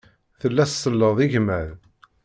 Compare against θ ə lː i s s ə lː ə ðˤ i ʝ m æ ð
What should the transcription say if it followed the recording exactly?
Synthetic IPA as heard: θ ə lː æ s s ə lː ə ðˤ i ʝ m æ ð